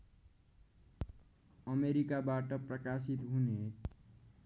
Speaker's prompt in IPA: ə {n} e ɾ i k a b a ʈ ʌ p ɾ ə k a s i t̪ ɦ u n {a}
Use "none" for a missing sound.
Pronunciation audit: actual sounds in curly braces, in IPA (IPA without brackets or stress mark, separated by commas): m, e